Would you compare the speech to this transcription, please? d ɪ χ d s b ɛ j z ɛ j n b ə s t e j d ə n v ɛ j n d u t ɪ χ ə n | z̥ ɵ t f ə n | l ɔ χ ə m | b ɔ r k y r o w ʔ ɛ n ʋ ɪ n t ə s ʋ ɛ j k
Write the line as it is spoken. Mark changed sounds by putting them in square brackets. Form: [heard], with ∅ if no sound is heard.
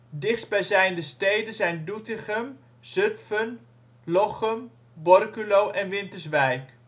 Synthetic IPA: d ɪ χ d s b ɛ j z ɛ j n [d] ə s t e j d ə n [z] ɛ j n d u t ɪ χ ə [m] | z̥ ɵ t f ə n | l ɔ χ ə m | b ɔ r k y [l] o w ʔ ɛ n ʋ ɪ n t ə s ʋ ɛ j k

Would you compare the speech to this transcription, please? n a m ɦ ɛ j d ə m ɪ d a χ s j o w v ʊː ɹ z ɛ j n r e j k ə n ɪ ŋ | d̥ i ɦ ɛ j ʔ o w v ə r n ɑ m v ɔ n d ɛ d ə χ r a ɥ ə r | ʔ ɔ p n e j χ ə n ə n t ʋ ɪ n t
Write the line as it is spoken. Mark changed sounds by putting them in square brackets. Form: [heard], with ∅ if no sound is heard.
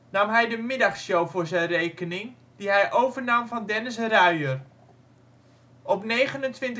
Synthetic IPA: n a m ɦ ɛ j d ə m ɪ d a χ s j o w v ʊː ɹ z ɛ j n r e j k ə n ɪ ŋ | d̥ i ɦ ɛ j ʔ o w v ə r n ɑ m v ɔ n d ɛ [n] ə [s] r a ɥ ə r | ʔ ɔ p n e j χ ə n ə n t ʋ ɪ n t

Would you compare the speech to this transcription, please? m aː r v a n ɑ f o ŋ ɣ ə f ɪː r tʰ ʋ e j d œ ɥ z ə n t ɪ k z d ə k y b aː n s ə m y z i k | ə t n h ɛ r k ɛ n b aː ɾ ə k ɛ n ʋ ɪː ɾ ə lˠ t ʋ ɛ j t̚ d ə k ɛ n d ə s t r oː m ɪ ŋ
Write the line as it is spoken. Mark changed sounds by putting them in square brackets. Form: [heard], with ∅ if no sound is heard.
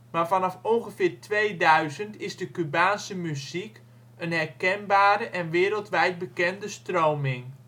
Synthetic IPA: m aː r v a n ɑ f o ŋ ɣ ə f ɪː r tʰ ʋ e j d œ ɥ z ə n t ɪ [∅] z d ə k y b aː n s ə m y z i k | ə [∅] n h ɛ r k ɛ n b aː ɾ ə [ʔ] ɛ n ʋ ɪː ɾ ə lˠ t ʋ ɛ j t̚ [b] ə k ɛ n d ə s t r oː m ɪ ŋ

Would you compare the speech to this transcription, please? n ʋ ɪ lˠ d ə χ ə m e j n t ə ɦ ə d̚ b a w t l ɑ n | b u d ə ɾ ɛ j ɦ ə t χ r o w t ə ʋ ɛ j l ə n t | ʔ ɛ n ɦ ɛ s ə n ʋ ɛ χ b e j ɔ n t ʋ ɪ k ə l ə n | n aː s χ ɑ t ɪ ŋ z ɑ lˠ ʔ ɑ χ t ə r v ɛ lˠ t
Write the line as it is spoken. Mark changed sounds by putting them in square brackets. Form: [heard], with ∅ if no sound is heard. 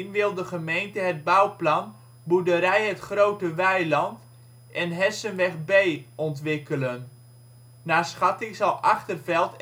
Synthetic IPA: n ʋ ɪ lˠ d ə χ ə m e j n t ə ɦ ə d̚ b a w [p] l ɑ n | b u d ə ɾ ɛ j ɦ ə t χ r o w t ə ʋ ɛ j l [ɑ] n t | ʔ ɛ n ɦ ɛ s ə n ʋ ɛ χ b e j ɔ n t ʋ ɪ k ə l ə n | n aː s χ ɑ t ɪ ŋ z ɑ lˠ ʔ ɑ χ t ə r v ɛ lˠ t

